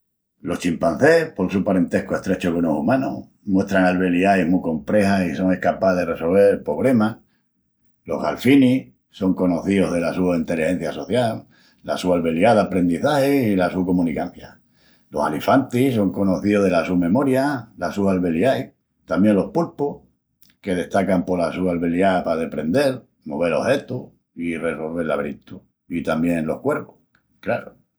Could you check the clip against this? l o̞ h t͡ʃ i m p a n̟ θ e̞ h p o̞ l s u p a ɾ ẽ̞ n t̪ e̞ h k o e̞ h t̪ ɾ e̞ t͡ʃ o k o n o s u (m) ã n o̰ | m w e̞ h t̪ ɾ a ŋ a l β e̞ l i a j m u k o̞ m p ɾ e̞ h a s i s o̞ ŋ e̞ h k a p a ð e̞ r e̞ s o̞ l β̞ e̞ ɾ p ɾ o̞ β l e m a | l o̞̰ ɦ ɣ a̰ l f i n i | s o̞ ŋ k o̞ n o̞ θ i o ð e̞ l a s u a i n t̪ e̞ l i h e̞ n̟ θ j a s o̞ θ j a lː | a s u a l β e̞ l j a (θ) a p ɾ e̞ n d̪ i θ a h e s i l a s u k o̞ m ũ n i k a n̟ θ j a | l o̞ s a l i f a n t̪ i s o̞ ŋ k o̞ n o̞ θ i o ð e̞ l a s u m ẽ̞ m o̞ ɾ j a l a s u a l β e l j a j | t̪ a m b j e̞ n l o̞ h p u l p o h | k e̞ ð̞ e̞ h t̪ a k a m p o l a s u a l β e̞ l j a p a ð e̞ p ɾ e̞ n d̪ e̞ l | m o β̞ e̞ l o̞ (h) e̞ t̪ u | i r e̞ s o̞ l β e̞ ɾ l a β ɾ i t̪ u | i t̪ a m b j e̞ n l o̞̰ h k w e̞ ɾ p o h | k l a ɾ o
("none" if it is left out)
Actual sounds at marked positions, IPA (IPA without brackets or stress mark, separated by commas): m, ð, h